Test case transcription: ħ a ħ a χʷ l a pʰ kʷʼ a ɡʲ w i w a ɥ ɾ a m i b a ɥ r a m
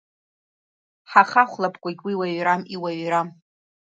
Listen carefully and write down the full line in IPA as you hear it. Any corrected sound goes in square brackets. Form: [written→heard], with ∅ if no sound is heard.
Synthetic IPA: ħ a [ħ→χ] a χʷ l a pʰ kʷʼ a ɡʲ w i w a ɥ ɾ a m i [b→w] a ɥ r a m